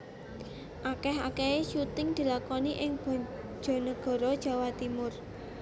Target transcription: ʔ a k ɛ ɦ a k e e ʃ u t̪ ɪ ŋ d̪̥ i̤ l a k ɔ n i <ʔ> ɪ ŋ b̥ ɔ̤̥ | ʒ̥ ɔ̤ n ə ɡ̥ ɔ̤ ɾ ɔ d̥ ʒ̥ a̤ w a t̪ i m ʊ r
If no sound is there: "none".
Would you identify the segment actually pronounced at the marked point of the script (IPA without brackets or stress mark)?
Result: ʔ